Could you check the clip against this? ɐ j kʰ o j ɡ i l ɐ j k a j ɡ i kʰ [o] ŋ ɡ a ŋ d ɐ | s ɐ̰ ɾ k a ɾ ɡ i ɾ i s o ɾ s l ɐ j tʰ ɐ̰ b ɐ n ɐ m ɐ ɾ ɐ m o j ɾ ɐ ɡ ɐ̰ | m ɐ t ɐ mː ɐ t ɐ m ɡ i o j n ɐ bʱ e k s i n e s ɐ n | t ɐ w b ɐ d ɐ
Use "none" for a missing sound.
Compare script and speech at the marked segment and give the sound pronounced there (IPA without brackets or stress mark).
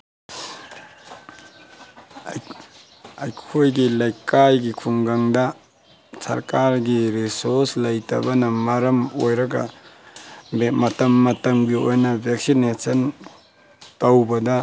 u